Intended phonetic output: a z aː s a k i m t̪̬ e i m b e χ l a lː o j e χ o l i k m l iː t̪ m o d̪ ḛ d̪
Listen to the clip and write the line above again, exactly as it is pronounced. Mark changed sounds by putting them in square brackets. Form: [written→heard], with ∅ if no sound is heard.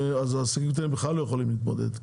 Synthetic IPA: a z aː s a k i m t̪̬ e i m b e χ l a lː o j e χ o l i [k→∅] m l iː t̪ m o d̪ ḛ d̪